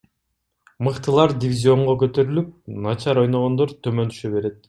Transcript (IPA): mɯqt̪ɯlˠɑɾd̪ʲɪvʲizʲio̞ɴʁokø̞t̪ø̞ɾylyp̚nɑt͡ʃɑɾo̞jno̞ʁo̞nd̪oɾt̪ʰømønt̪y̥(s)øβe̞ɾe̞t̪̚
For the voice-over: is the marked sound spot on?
no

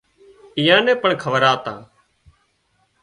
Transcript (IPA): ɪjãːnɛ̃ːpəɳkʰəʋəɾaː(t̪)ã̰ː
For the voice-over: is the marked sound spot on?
yes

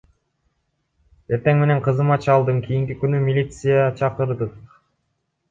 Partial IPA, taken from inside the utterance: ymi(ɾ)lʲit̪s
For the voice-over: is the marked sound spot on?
no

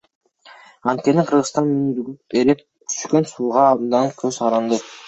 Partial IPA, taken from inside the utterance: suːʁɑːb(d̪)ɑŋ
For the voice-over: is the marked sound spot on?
yes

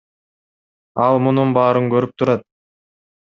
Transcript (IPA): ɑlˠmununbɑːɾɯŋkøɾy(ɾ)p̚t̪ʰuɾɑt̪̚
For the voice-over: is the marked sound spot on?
no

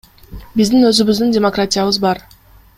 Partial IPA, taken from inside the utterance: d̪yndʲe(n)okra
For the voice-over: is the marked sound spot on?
no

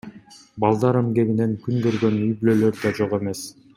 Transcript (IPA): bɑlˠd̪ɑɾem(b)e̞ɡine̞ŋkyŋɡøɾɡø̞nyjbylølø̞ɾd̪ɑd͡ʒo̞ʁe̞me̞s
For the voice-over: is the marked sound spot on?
no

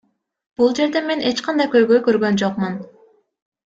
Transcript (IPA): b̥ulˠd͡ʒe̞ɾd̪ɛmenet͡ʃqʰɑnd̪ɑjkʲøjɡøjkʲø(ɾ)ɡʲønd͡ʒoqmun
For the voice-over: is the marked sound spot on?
yes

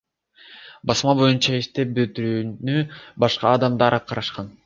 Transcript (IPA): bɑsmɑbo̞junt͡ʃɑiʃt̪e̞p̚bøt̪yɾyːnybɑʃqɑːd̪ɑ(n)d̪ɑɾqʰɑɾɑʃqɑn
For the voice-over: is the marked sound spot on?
no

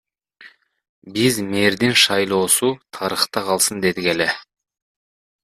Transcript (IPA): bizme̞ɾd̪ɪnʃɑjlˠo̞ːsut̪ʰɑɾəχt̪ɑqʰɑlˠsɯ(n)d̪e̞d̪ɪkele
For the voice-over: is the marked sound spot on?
yes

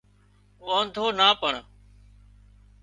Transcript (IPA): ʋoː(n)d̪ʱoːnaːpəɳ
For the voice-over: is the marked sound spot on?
yes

